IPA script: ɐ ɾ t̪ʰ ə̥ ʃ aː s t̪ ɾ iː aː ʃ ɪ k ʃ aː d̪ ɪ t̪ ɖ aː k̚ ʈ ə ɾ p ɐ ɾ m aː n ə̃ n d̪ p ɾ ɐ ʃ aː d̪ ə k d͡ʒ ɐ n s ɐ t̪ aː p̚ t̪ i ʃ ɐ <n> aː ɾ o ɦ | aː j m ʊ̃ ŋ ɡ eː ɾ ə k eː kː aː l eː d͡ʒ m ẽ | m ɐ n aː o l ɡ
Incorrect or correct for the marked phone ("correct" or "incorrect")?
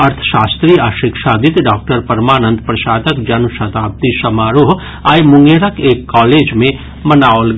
incorrect